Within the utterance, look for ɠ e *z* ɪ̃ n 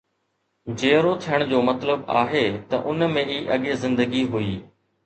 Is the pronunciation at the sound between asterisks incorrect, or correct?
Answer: correct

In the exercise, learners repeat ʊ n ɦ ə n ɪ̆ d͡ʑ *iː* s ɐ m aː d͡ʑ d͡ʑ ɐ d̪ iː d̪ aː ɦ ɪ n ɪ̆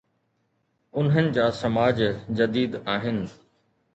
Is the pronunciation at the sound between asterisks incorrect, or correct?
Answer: incorrect: aː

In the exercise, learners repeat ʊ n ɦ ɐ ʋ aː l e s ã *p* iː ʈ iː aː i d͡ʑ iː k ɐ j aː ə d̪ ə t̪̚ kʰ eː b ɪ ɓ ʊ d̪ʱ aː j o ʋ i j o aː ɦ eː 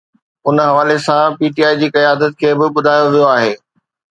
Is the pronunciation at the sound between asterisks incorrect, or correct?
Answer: correct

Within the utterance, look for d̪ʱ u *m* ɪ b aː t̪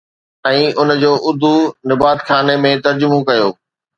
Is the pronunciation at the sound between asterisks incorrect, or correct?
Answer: incorrect: n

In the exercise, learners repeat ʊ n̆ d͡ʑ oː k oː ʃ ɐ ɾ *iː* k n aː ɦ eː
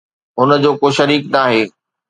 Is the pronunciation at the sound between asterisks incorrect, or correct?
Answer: correct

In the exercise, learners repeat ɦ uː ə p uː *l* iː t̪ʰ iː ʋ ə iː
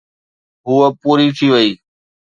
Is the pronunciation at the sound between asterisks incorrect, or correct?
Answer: incorrect: ɾ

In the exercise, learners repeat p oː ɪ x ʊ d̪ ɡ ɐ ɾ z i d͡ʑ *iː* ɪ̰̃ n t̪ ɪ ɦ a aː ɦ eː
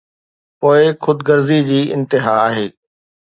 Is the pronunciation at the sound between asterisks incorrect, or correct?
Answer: correct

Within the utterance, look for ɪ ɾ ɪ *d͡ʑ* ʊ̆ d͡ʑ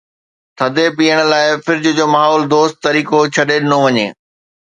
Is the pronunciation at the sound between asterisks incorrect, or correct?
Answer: correct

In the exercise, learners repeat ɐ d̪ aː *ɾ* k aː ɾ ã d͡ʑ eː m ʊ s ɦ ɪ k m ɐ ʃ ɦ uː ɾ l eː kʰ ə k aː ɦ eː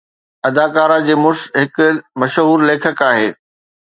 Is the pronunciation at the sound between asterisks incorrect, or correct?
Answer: incorrect: none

